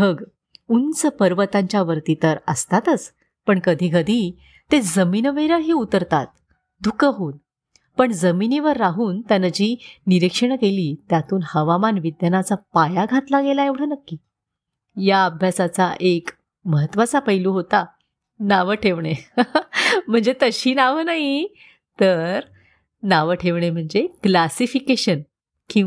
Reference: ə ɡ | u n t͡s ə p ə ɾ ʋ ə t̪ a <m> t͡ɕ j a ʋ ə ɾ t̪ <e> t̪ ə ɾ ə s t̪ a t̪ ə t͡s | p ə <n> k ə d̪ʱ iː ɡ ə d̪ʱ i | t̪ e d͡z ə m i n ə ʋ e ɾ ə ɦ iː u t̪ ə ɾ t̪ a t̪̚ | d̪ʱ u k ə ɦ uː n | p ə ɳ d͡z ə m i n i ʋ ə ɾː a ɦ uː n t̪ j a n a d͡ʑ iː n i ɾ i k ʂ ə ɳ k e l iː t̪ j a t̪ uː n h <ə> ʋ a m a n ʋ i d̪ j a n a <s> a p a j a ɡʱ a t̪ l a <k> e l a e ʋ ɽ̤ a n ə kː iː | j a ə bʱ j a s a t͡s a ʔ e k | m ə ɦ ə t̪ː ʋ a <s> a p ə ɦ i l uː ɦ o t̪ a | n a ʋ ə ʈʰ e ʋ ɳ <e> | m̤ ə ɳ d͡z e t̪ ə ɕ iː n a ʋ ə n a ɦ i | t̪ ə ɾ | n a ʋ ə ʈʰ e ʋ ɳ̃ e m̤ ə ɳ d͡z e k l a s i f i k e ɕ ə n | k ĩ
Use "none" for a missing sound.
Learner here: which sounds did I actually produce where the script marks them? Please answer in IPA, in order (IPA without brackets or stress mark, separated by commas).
ɲ, i, ɳ, ə, t͡s, ɡ, t͡s, e